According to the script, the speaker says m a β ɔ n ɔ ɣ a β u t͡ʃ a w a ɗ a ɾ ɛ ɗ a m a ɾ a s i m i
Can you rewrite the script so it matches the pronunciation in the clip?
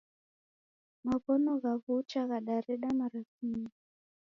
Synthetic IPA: m a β ɔ n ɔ ɣ a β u t͡ʃ a ɣ a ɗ a ɾ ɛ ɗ a m a ɾ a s i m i